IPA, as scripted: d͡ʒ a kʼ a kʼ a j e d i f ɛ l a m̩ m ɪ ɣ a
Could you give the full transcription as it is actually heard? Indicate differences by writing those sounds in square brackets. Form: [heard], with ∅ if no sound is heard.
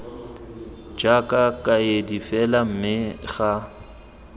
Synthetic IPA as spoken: d͡ʒ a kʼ a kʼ a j e d i f ɛ l a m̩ m ɪ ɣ a